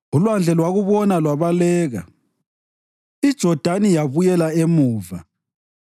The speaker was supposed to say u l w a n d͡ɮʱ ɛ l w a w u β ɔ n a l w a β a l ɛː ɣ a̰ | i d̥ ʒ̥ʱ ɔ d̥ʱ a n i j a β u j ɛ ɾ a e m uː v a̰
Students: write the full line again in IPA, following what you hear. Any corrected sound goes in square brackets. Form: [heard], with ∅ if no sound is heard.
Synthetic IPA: u l w a n d͡ɮʱ ɛ l w a [ɣ] u β ɔ n a l w a β a l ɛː ɣ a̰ | i d̥ ʒ̥ʱ ɔ d̥ʱ a n i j a β u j ɛ [l] a e m uː v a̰